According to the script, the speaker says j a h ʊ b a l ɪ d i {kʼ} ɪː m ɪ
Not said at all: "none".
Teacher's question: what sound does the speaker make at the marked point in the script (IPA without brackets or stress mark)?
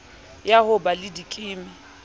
kʼ